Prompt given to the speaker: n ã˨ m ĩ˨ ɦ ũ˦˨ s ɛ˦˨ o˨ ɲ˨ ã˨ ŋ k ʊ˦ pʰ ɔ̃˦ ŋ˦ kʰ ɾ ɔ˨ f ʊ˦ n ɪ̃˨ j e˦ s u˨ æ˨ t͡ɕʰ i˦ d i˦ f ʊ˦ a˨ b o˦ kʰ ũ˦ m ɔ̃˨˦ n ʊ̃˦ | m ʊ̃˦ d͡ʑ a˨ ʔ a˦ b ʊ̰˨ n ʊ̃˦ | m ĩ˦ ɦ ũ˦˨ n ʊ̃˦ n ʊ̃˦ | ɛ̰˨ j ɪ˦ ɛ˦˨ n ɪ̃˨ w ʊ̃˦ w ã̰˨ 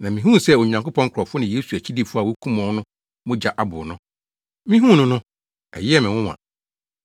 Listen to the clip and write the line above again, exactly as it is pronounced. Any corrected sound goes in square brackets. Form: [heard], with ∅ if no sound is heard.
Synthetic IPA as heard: n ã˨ m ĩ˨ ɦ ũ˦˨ s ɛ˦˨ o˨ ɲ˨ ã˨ ŋ k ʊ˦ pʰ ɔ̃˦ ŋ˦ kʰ ɾ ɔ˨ f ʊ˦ n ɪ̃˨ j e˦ s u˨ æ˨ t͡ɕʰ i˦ d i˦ f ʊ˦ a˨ [w] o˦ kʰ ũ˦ m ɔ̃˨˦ n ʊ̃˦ | m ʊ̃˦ d͡ʑ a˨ ʔ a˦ b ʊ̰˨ n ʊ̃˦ | m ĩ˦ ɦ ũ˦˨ n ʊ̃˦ n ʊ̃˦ | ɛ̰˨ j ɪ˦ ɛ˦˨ [m] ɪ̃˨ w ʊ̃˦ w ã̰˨